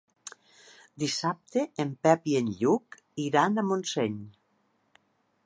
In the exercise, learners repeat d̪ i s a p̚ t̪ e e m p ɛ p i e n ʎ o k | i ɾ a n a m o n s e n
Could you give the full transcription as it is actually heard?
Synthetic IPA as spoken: d̪ i s a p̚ t̪ e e m p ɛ p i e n ʎ u k | i ɾ a n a m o n s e ɲ

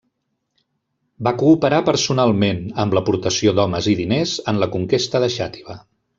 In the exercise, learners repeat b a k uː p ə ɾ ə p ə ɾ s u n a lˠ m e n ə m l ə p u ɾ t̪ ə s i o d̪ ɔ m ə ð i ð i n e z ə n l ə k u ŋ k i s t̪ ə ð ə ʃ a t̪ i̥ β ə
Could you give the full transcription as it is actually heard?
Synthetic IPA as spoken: b a k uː p ə ɾ a p ə ɾ s u n a lˠ m e n ə m l ə p u ɾ t̪ ə s i o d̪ ɔ m ə z i ð i n e z ə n l ə k u ŋ k e s t̪ ə ð ə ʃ a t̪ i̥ β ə

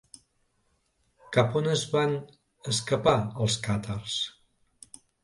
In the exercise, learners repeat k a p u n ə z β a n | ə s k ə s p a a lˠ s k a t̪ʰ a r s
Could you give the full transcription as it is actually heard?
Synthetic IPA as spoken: k a p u n ə z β a n | ə s k ə p a ə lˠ s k a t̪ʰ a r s

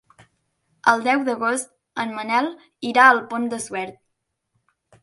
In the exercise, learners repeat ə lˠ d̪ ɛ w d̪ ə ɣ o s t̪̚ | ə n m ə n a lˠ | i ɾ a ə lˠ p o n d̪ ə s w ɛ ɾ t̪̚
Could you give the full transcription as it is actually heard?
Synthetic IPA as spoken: ə lˠ d̪ ɛ w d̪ ə ɣ o s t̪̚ | ə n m ə n ɛ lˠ | i ɾ a ə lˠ p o n d̪ ə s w ɛ ɾ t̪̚

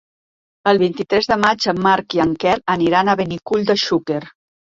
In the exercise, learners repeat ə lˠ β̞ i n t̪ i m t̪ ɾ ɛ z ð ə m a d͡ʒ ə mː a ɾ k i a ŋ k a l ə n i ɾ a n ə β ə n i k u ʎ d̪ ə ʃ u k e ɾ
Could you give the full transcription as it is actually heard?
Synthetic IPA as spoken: ə lˠ β̞ i n t̪ i t̪ ɾ ɛ z ð ə m a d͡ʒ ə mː a ɾ k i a ŋ k ɛ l ə n i ɾ a n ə β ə n i k u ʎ d̪ ə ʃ u k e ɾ

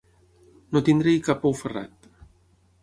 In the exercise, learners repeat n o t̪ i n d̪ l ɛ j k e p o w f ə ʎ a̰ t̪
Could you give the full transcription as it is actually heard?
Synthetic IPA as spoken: n o t̪ i n d̪ ɾ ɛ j k a p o w f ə r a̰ t̪

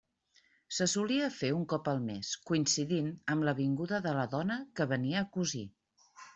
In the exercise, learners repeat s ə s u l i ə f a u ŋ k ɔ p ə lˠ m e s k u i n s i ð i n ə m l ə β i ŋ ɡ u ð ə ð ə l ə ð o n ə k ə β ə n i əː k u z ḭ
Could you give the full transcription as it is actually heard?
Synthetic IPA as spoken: s ə s u l i ə f e u ŋ k ɔ p ə lˠ m e s k u i n s i ð i n ə m l ə β i ŋ ɡ u ð ə ð ə l ə ð ɔ n ə k ə β ə n i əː k u z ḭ

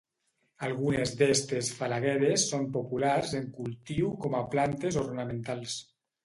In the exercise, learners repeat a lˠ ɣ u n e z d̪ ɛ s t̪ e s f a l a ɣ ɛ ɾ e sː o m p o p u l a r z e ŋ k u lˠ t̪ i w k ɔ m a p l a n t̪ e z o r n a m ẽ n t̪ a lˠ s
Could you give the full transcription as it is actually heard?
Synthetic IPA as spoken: a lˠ ɣ u n e z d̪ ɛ s t̪ e s f a l a ɣ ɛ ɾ e sː o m p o p u l a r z e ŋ k u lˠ t̪ i w k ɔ m a p l a n t̪ e z o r n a m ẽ n t̪ a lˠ s

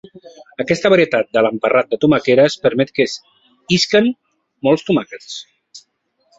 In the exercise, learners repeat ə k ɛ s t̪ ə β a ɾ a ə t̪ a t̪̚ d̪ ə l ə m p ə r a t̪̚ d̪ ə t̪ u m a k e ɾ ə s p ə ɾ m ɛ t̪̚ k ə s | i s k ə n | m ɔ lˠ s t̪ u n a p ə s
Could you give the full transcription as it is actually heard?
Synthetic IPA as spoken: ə k ɛ s t̪ ə β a ɾ i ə t̪ a t̪̚ d̪ ə l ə m p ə r a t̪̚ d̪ ə t̪ u m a k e ɾ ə s p ə ɾ m ɛ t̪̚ k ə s | i s k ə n | m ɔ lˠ s t̪ u m a k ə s

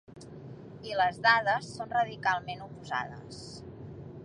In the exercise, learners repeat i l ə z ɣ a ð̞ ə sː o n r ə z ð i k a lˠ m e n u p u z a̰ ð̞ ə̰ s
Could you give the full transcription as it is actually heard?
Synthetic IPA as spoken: i l ə z ð a ð̞ ə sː o n r ə ð i k a lˠ m e n u p u z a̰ ð̞ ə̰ s

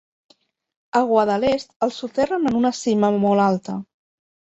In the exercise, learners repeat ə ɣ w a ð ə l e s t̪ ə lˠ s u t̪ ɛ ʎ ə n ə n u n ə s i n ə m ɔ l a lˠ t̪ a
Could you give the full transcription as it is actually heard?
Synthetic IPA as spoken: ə ɣ w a ð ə l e s t̪ ə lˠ s u t̪ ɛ r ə n ə n u n ə s i m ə m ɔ l a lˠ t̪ ə

